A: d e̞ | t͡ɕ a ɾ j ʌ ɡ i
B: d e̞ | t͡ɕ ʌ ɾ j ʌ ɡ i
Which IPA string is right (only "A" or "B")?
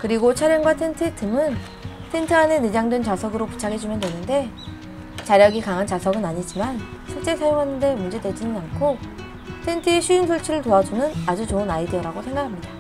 A